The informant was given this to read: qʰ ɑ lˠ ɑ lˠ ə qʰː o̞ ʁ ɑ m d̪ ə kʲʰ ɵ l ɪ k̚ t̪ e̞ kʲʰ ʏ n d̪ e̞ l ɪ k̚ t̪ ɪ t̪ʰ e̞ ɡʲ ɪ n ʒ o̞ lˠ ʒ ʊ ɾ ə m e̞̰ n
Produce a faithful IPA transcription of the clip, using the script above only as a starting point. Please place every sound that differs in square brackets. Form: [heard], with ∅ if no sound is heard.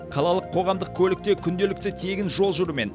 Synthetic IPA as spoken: qʰ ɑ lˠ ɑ lˠ ə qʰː o̞ ʁ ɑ m d̪ ə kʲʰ ɵ l ɪ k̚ t̪ e̞ kʲʰ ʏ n d̪ e̞ l ɪ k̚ t̪ ɪ t̪ʰ e̞ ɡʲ ɪ n ʒ o̞ lˠ ʒ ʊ ɾ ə m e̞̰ n